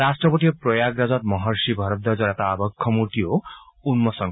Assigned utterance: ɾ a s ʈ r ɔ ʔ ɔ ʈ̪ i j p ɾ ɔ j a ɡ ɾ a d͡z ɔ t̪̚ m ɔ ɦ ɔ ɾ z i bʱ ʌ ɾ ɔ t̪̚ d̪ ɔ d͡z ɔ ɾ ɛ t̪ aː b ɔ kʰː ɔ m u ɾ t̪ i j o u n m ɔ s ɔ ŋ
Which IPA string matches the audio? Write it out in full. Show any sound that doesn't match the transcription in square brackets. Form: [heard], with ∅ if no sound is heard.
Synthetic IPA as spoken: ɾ a s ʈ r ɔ [p] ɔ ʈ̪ i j p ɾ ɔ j a ɡ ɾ a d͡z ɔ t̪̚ m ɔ ɦ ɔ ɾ [s] i bʱ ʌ ɾ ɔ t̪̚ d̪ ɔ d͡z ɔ ɾ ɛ t̪ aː b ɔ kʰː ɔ m u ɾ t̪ i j o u n m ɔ s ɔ ŋ